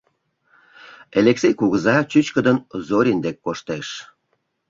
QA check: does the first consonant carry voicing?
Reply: yes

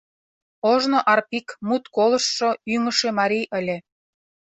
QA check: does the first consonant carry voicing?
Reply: yes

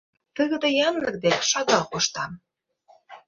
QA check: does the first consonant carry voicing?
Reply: no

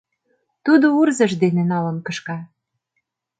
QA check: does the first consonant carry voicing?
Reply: no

